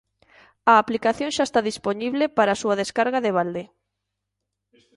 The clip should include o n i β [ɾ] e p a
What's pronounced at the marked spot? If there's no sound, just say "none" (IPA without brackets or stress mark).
l